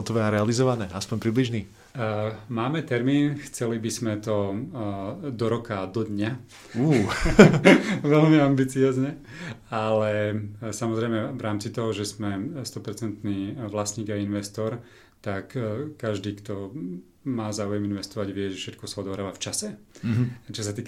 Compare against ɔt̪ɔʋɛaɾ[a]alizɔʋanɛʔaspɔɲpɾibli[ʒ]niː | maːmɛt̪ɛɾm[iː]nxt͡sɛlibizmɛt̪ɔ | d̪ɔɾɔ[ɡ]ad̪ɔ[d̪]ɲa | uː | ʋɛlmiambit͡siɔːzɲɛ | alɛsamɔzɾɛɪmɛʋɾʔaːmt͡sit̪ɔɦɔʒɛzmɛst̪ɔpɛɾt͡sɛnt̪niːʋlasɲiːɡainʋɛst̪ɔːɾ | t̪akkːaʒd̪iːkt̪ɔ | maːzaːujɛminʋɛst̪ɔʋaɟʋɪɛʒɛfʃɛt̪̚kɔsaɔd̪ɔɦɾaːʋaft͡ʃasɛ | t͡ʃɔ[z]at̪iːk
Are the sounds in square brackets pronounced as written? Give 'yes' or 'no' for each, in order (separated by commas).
no, yes, yes, no, yes, no